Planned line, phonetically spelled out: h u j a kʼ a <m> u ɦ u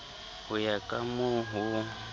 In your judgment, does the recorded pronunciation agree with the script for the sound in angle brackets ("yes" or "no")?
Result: yes